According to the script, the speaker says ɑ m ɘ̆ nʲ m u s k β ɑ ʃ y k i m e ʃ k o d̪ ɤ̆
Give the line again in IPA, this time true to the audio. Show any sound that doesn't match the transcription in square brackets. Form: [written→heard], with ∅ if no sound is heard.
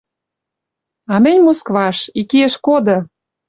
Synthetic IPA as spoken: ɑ m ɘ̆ nʲ m [u→o] s k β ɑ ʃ [y→i] k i [m→∅] e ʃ k o d̪ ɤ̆